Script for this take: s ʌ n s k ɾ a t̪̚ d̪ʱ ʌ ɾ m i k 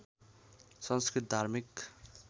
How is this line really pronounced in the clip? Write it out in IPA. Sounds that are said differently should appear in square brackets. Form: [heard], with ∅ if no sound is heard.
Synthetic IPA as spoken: s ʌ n s k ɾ [i] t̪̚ d̪ʱ [a] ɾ m i k